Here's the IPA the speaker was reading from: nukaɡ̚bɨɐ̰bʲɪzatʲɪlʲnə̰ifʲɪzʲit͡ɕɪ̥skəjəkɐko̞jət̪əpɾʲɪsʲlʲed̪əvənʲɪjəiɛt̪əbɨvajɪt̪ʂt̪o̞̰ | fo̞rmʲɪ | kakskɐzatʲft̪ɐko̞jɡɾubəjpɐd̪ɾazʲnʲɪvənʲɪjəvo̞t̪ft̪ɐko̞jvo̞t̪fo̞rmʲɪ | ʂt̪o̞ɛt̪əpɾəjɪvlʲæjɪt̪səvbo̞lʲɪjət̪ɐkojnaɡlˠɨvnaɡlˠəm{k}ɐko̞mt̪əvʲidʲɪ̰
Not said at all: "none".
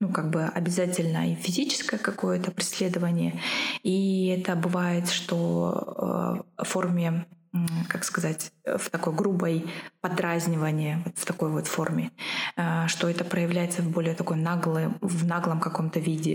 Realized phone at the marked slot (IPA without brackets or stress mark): k